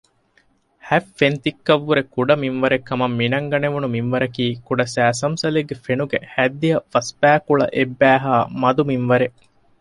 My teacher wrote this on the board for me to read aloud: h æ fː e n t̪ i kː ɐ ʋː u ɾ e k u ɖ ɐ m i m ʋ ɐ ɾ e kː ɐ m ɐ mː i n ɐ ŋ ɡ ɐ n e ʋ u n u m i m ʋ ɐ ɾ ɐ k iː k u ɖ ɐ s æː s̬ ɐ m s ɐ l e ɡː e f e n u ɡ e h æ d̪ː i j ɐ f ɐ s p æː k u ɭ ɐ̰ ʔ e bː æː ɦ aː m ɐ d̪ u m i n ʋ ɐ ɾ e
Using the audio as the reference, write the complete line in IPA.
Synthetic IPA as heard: h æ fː e n t̪ i kː ɐ ʋː u ɾ e k u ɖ ɐ m i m ʋ ɐ ɾ e kː ɐ m ɐ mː i n ɐ ŋ ɡ ɐ n e ʋ u n u m i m ʋ ɐ ɾ ɐ k iː k u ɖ ɐ s æː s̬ ɐ m s ɐ l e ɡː e f e n u ɡ e h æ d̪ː i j ɐ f ɐ s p æː k u ɭ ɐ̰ ʔ e bː æː ɦ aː m ɐ d̪ u m i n ʋ ɐ ɾ e